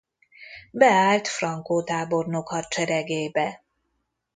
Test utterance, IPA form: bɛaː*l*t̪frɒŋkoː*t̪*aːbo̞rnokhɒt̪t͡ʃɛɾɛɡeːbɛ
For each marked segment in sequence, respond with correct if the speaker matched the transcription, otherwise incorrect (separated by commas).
correct, correct